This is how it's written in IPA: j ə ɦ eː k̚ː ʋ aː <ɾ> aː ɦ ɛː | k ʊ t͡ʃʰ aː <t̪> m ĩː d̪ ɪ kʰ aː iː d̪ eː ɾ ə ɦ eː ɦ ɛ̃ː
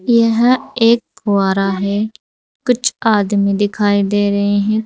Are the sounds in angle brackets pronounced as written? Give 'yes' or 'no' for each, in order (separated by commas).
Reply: yes, no